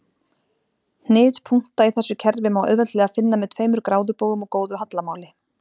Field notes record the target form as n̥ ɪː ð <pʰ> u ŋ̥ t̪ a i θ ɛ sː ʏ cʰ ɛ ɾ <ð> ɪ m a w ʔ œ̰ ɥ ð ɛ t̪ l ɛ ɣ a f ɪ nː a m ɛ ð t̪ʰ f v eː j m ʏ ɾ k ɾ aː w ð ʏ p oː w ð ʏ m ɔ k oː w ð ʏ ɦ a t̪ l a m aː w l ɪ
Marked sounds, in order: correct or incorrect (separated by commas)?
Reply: correct, incorrect